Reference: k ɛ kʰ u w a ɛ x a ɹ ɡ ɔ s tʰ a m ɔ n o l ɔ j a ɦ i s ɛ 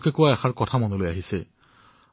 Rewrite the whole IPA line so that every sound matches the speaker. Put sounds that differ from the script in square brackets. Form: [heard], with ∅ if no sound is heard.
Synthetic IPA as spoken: k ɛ [k] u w a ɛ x a ɹ [k] ɔ [∅] tʰ a m ɔ n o l [o] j a ɦ i s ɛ

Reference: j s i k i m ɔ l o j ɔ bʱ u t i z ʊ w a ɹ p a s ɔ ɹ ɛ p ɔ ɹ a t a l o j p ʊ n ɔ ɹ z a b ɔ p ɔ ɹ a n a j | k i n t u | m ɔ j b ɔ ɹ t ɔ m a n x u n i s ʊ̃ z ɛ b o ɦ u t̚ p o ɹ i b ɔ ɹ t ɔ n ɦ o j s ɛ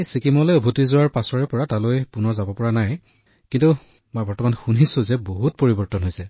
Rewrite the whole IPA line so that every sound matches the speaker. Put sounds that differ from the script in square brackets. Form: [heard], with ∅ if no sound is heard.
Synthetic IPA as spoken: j s i k i m ɔ l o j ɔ bʱ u t i z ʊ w a ɹ p a s ɔ ɹ ɛ p ɔ ɹ a t a l o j p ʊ n ɔ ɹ z a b ɔ p ɔ ɹ a n a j | k i n t u | m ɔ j b ɔ ɹ t ɔ m a n x u n i s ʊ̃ z ɛ b o ɦ u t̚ p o ɹ i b ɔ ɹ t ɔ n ɦ o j s ɛ

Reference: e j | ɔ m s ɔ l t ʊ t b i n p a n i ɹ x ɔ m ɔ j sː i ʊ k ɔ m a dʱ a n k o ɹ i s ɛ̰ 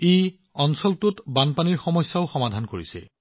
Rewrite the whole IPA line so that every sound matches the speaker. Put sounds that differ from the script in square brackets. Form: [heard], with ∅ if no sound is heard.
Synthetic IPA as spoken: e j | ɔ [n] s ɔ l t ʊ t b [a] n p a n i ɹ x ɔ m ɔ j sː [a] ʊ [x] ɔ m a dʱ a n k o ɹ i s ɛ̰

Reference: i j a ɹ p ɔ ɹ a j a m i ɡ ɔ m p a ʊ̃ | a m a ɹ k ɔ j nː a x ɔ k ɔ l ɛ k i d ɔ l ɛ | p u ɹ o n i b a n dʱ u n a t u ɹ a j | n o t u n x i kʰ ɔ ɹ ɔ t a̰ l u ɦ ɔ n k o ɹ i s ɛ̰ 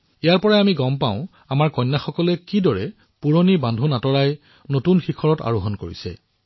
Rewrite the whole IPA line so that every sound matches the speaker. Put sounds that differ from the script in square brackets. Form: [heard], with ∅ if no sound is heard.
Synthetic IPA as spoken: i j a ɹ p ɔ ɹ a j a m i ɡ ɔ m p a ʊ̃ | a m a ɹ k ɔ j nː a x ɔ k ɔ l ɛ k i d ɔ [ɹ] ɛ | p u ɹ o n i b a n dʱ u n a t [ɔ] ɹ a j | n o t u n x i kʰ ɔ ɹ ɔ t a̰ [ɹ] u ɦ ɔ n k o ɹ i s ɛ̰

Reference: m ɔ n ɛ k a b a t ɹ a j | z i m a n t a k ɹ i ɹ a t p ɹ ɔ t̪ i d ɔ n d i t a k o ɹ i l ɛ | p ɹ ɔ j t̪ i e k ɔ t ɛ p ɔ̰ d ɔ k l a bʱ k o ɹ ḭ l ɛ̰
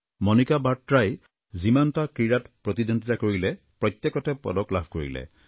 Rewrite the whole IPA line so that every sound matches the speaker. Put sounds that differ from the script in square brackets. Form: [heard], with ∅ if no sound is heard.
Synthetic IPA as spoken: m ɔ n [i] k a b a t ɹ a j | z i m a n t a k ɹ i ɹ a t p ɹ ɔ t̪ i d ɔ n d i t a k o ɹ i l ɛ | p ɹ ɔ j t̪ [j] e k ɔ t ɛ p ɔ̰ d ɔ k l a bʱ k o ɹ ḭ l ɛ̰

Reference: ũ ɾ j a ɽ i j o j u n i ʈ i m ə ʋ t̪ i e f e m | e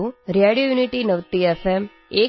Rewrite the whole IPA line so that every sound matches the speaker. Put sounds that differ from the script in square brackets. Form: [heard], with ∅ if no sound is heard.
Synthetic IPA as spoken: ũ ɾ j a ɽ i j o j u n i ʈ i [n] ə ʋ t̪ i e f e m | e

